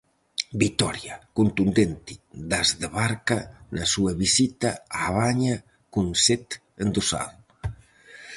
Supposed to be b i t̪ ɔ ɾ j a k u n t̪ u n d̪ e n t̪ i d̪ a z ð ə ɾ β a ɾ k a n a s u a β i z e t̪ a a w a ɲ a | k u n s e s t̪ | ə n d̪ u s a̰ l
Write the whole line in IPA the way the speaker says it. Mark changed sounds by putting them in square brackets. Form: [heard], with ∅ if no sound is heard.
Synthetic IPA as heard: b i t̪ ɔ ɾ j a k u n t̪ u n d̪ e n t̪ i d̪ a z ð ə [∅] β a ɾ k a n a s u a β i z [i] t̪ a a [β] a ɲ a | k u n s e [∅] t̪ | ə n d̪ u s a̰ l